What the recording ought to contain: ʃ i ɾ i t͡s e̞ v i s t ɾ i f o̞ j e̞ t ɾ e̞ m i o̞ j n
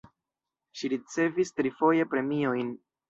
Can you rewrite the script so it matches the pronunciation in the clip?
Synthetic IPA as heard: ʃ i ɾ i t͡s e̞ v i s t ɾ i f o̞ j e̞ p ɾ e̞ m i o̞ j n